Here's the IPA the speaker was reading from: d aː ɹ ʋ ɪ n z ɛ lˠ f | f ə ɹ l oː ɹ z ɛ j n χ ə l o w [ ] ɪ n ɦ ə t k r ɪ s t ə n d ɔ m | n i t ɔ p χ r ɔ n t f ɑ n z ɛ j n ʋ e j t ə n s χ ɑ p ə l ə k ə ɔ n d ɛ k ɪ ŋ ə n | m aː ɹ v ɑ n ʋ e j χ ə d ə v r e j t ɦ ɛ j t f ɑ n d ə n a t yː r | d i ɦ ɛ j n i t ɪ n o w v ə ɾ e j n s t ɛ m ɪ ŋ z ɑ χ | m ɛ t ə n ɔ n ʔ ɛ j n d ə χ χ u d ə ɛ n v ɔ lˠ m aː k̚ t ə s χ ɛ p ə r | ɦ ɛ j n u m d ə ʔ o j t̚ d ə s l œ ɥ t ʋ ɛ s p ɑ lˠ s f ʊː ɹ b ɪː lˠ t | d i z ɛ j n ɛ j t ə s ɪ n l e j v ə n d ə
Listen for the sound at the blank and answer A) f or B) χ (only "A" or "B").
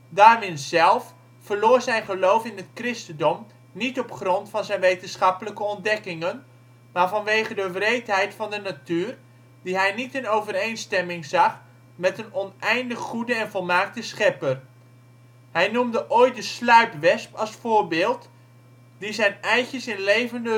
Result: A